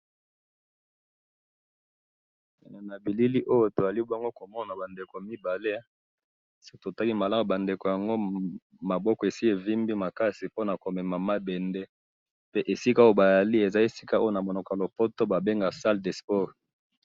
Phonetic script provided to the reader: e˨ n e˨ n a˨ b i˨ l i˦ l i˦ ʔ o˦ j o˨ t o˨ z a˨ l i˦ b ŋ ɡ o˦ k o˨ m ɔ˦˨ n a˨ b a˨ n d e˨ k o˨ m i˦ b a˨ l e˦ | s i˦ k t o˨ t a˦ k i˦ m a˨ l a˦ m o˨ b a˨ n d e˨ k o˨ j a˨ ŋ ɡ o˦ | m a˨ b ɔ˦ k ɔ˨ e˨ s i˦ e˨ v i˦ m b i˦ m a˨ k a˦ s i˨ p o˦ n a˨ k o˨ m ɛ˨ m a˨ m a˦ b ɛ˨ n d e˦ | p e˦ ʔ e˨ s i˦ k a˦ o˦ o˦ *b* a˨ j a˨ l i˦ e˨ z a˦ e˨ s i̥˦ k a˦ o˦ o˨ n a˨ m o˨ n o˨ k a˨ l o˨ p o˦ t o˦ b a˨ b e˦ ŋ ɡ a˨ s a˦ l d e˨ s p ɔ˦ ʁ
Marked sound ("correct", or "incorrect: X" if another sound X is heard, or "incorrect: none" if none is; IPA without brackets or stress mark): correct